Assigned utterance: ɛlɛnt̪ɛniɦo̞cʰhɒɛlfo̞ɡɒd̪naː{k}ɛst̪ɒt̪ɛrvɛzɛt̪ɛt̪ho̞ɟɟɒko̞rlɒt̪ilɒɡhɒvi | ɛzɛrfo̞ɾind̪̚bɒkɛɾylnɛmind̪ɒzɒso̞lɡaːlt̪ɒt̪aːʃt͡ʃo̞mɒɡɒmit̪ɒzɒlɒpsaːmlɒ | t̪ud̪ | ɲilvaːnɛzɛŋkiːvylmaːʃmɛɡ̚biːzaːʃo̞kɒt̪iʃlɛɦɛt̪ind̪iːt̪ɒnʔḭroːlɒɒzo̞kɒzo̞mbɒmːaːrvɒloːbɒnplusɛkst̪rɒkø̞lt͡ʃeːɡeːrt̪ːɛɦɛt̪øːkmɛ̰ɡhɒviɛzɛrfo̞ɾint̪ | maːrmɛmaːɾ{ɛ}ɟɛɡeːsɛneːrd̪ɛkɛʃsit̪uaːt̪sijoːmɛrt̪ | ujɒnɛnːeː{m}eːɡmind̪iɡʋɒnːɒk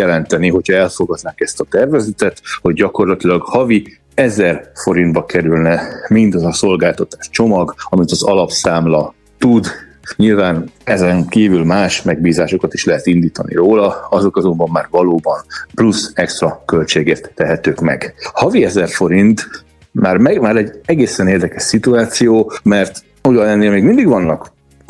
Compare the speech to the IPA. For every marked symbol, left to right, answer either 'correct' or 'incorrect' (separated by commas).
correct, correct, correct